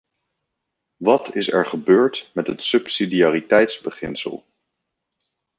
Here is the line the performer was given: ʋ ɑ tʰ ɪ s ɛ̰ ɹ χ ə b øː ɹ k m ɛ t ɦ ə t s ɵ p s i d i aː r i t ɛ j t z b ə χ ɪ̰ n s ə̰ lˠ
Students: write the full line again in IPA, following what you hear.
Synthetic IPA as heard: ʋ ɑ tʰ ɪ s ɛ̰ ɹ χ ə b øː ɹ t m ɛ t ɦ ə t s ɵ p s i d i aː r i t ɛ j t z b ə χ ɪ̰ n s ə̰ lˠ